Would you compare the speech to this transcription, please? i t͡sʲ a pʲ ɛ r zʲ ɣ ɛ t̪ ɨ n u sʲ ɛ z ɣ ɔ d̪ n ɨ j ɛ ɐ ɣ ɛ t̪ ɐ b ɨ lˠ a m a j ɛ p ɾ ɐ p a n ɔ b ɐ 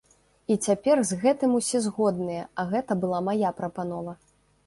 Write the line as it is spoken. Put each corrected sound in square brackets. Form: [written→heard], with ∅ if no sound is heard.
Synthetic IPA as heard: i t͡sʲ a pʲ ɛ r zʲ ɣ ɛ t̪ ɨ [n→m] u sʲ ɛ z ɣ ɔ d̪ n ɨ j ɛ ɐ ɣ ɛ t̪ ɐ b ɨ lˠ a m a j [ɛ→a] p ɾ ɐ p a n ɔ [b→v] ɐ